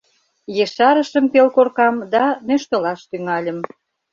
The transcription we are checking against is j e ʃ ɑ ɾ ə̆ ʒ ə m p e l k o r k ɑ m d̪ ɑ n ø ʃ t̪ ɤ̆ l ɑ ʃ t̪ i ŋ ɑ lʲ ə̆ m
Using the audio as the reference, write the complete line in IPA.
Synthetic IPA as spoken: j e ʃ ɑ ɾ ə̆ ʃ ə m p e l k o r k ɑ m d̪ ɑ n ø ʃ t̪ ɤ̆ l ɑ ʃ t̪ y ŋ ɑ lʲ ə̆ m

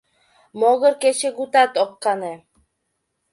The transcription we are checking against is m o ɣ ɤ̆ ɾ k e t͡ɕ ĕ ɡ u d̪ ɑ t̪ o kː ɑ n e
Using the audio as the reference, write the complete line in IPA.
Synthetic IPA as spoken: m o ɣ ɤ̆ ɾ k e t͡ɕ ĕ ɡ u t̪ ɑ t̪ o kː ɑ n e

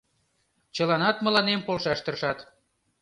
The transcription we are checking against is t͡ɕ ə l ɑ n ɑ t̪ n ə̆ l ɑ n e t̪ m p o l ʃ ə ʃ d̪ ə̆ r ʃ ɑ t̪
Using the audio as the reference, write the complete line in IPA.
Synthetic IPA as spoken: t͡ɕ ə l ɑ n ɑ t̪ m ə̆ l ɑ n e m p o l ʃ ɑ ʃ t̪ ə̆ r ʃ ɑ t̪

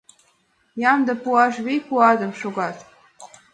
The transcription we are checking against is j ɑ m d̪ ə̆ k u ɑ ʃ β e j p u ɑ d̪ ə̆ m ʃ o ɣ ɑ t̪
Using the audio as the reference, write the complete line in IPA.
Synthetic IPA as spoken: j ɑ m d̪ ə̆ p u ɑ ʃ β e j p u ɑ d̪ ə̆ m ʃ o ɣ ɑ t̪

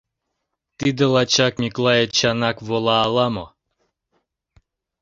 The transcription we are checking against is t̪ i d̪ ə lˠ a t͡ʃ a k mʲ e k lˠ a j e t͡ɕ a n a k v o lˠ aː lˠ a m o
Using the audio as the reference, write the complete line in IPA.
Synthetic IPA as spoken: t̪ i d̪ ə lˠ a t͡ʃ a k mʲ i k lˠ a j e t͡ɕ a n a k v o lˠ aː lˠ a m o

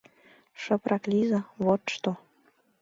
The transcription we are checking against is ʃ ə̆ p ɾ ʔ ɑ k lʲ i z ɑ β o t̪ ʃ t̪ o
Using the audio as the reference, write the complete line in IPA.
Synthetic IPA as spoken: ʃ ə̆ p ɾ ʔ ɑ k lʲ i z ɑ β o t̪ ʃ t̪ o

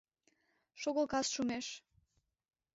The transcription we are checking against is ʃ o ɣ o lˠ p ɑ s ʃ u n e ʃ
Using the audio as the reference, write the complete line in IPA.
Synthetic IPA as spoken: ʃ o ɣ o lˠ k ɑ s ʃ u m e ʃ

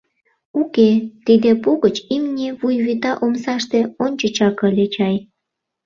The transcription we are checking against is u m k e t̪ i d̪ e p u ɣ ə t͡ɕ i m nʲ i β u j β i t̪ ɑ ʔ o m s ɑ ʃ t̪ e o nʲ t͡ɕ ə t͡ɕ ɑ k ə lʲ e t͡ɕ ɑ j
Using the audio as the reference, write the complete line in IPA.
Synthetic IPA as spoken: u k e t̪ i d̪ e p u ɣ ə t͡ɕ i m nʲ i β u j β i t̪ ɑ ʔ o m s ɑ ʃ t̪ e o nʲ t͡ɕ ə t͡ɕ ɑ k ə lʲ e t͡ɕ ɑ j

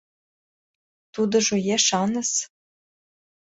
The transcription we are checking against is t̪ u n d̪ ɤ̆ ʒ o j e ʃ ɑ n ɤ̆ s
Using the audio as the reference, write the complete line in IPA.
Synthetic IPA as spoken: t̪ u d̪ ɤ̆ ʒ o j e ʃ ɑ n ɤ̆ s

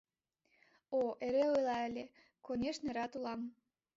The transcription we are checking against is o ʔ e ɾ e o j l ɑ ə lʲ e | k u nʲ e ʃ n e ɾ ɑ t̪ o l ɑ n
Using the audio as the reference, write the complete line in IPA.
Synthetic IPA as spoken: o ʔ e ɾ e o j l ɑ ə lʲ e | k o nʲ e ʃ n e ɾ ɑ t̪ u l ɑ m

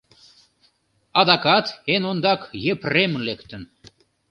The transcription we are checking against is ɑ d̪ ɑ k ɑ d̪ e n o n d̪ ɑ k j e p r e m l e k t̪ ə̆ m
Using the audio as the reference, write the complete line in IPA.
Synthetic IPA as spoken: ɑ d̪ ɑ k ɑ t̪ e n o n d̪ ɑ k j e p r e m l e k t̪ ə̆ n

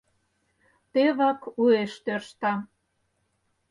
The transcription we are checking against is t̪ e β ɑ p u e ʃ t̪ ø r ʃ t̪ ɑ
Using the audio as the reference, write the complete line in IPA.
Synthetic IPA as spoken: t̪ e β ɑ k u e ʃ t̪ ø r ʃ t̪ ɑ

